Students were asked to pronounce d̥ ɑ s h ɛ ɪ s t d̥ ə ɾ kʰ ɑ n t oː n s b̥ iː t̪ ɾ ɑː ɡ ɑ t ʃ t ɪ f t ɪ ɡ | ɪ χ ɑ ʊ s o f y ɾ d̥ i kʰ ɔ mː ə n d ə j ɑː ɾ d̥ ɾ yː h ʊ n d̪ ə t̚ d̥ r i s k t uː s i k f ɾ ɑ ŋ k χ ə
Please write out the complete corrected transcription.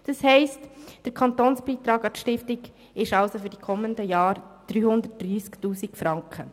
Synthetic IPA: d̥ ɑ s h ɛ ɪ s t d̥ ə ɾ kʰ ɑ n t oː n s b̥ iː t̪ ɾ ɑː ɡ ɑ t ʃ t ɪ f t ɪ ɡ | ɪ ʃ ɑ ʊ s o f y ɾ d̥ i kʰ ɔ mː ə n d ə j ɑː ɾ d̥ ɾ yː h ʊ n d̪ ə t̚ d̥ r iː s k t uː s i k f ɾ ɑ ŋ k χ ə